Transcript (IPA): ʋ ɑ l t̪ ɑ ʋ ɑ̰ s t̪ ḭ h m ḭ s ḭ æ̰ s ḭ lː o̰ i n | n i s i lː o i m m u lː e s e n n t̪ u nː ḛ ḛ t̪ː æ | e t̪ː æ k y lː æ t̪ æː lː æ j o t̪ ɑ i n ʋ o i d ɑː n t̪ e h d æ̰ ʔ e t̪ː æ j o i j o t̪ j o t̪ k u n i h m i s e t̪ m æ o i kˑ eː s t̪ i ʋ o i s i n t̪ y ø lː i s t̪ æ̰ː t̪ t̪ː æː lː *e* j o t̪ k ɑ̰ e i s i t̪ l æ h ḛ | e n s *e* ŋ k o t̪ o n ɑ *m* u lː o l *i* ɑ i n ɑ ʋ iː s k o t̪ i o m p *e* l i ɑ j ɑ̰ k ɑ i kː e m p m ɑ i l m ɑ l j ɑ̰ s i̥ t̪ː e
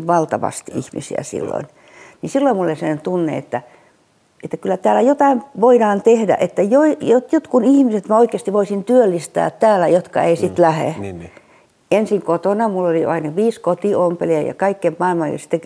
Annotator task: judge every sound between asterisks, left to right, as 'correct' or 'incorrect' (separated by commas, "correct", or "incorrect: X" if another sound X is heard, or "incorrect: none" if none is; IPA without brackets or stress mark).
incorrect: æ, incorrect: i, correct, correct, correct